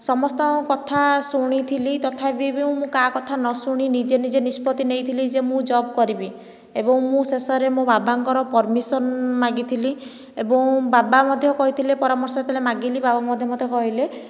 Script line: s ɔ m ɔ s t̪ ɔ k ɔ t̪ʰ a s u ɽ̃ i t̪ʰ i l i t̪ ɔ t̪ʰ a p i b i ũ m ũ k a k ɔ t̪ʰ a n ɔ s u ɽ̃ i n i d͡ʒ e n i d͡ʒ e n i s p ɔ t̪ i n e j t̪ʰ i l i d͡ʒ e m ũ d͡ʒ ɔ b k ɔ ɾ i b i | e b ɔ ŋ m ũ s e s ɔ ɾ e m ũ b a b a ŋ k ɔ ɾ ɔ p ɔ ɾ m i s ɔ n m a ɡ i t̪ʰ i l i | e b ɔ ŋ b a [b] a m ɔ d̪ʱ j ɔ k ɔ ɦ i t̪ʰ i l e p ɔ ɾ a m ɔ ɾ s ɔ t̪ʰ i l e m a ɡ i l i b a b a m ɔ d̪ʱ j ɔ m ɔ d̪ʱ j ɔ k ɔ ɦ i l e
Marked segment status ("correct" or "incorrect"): correct